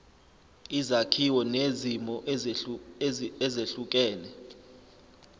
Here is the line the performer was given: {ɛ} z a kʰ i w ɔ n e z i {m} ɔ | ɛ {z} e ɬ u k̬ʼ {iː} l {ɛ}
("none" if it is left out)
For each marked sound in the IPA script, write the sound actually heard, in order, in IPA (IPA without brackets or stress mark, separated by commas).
i, m, z, ɛː, ɛ